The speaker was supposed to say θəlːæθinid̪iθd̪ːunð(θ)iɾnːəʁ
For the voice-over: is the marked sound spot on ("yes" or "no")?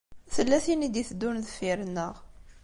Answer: no